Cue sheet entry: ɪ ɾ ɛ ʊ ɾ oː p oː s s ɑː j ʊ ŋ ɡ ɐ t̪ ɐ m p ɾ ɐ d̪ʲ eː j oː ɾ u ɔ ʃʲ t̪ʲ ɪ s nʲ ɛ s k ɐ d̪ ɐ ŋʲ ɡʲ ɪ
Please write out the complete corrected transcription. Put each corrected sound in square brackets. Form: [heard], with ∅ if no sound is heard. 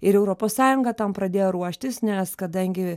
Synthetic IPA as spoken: ɪ ɾ ɛ ʊ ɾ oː p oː s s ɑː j ʊ ŋ ɡ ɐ t̪ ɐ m p ɾ ɐ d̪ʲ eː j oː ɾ u ɔ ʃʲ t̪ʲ ɪ s nʲ ɛ s k ɐ d̪ ɐ ŋʲ ɡʲ ɪ